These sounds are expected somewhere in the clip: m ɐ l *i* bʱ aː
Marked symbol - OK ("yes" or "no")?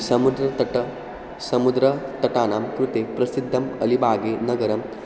yes